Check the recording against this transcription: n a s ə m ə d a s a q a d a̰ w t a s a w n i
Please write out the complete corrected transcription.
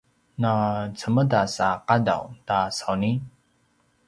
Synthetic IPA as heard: n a t͡s ə m ə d a s a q a d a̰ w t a s a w n i